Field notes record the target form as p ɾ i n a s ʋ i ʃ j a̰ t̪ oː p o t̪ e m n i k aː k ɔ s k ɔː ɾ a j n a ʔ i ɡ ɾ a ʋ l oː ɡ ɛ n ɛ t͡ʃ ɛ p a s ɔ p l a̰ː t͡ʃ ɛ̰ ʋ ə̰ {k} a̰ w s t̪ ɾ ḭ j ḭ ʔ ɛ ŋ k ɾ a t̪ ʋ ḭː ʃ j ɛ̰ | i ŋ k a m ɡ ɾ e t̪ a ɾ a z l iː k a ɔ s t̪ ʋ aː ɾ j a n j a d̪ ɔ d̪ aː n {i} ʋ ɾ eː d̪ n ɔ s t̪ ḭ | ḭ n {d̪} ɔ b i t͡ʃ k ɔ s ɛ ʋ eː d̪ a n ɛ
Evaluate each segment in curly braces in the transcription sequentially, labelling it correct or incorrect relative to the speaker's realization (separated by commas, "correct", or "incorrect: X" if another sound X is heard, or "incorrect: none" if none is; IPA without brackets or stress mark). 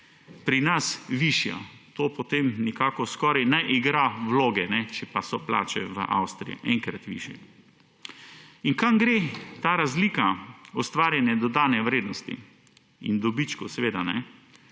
incorrect: ʔ, incorrect: ɛ, correct